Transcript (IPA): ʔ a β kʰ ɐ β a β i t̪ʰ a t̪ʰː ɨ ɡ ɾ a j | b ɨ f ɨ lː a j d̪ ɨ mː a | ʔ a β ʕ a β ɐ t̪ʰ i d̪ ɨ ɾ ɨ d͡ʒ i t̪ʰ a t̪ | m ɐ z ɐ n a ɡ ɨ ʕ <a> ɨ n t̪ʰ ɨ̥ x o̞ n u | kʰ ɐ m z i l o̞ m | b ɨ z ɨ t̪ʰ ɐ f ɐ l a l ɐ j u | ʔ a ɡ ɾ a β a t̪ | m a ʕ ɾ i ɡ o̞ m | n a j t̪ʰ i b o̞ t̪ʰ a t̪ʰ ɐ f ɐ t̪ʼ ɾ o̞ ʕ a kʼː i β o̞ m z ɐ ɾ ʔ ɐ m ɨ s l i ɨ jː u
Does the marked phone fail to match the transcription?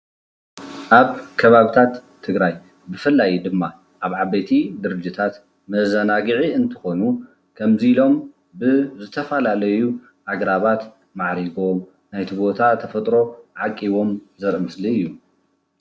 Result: yes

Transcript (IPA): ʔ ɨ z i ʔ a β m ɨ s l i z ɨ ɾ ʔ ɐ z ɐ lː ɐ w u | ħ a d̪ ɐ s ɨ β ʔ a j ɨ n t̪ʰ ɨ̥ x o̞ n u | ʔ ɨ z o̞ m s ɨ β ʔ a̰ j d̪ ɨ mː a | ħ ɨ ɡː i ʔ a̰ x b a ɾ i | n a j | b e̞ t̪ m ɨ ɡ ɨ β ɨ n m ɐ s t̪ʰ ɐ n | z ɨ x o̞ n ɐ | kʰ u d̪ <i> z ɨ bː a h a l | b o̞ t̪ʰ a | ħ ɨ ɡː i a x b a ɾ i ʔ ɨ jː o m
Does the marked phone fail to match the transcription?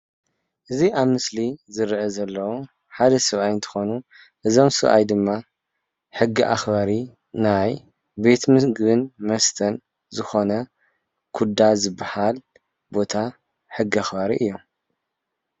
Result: yes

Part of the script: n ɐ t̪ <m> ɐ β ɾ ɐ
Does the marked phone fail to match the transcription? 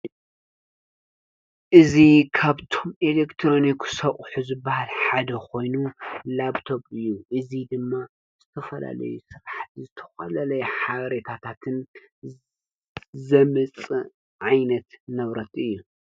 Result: yes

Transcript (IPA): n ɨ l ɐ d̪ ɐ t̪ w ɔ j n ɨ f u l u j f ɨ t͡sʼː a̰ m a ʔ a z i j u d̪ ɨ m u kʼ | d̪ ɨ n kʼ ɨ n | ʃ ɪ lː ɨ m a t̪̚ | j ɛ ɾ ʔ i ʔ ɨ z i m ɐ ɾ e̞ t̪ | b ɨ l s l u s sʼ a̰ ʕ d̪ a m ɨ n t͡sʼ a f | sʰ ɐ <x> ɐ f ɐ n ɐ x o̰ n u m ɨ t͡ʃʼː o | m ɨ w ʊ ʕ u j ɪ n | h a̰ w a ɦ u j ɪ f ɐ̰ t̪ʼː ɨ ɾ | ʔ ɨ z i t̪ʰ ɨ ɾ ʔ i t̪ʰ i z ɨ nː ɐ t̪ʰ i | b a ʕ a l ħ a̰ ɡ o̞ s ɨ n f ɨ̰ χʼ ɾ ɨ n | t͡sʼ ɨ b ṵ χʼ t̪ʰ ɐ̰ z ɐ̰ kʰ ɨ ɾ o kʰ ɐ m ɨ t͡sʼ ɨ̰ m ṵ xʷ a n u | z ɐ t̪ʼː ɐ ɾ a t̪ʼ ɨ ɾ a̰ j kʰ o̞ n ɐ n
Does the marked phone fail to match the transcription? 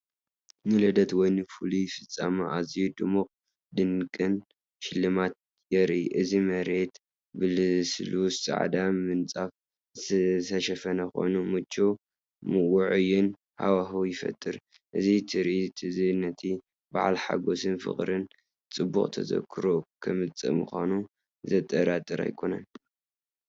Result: yes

